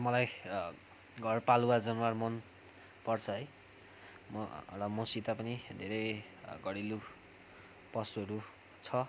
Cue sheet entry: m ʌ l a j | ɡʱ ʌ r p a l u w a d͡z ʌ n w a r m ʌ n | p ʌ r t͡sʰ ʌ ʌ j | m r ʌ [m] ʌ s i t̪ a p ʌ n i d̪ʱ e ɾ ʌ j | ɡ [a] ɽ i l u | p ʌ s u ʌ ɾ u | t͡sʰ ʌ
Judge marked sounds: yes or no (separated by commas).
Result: yes, no